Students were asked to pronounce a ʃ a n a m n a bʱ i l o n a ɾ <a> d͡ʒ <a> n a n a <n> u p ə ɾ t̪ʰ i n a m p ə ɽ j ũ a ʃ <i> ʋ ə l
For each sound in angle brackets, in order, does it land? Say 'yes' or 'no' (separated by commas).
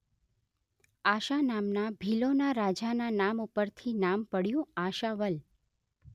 yes, yes, no, no